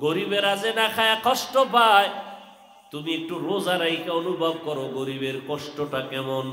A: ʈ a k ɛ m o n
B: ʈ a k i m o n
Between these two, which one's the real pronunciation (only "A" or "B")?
A